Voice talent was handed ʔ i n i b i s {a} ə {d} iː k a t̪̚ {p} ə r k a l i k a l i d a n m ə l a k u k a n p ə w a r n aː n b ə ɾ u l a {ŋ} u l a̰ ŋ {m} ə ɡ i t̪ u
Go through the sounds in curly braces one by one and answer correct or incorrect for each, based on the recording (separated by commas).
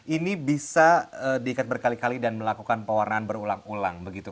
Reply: correct, correct, incorrect, correct, incorrect